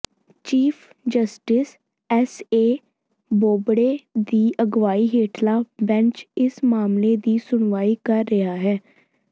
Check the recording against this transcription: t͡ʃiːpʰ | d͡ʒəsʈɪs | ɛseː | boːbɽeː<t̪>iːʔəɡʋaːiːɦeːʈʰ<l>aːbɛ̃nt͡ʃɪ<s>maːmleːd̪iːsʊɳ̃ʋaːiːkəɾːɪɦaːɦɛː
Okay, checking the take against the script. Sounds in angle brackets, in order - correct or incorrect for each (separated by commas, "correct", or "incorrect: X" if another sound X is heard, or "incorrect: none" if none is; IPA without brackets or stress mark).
incorrect: d̪, correct, correct